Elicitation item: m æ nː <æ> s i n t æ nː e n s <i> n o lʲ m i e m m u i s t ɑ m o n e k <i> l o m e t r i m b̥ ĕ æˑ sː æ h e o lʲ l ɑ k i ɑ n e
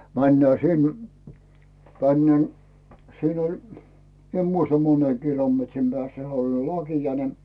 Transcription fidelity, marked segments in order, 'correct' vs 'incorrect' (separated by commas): incorrect, incorrect, correct